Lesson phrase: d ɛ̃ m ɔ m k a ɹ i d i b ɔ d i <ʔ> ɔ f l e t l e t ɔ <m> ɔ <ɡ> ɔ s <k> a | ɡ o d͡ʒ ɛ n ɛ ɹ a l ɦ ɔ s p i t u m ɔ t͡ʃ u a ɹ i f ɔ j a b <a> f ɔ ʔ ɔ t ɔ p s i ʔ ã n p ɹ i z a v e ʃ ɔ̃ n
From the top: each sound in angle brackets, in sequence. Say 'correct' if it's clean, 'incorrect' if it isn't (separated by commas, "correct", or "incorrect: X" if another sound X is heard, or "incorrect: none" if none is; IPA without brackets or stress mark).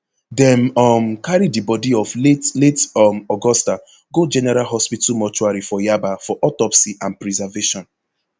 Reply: incorrect: none, correct, correct, incorrect: t, correct